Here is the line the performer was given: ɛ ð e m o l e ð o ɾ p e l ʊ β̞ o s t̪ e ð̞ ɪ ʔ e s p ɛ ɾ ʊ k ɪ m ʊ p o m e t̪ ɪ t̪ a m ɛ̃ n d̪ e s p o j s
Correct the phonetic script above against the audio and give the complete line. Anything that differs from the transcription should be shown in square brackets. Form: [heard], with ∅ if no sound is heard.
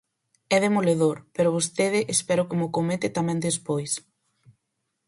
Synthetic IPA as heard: ɛ ð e m o l e ð o ɾ p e [ɾ] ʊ β̞ o s t̪ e ð̞ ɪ ʔ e s p ɛ ɾ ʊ k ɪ m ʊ [k] o m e t̪ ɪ t̪ a m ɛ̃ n d̪ e s p o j s